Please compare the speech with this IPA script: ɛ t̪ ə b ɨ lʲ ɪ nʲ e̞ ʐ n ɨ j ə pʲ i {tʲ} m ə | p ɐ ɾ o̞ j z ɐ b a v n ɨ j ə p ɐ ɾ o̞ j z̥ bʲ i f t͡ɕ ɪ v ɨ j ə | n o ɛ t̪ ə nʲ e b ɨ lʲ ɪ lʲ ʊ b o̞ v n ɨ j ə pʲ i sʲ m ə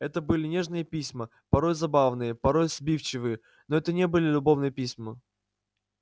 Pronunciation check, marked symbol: incorrect: sʲ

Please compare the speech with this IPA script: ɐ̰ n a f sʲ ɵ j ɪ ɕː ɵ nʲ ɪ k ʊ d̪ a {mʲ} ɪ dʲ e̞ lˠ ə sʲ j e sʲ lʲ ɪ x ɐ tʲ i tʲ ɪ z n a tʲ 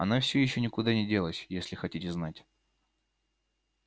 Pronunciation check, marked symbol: incorrect: nʲ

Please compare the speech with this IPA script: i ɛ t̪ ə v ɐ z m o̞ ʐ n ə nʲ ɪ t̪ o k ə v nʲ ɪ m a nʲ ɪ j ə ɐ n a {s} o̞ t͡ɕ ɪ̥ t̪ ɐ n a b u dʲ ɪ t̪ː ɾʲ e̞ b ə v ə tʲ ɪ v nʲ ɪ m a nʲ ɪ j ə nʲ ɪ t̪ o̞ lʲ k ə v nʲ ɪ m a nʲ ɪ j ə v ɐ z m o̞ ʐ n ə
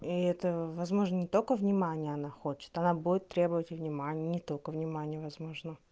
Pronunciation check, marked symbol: incorrect: x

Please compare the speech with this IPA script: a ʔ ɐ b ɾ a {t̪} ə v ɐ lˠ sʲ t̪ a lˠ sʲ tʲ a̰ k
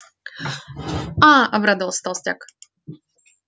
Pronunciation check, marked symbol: incorrect: d̪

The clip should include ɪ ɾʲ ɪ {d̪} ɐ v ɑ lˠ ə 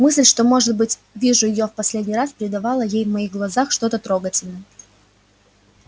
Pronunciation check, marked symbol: correct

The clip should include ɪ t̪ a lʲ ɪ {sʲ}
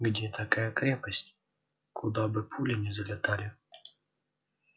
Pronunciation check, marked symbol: incorrect: none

